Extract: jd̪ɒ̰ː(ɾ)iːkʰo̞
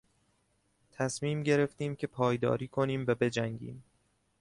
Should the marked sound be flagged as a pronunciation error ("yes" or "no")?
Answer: no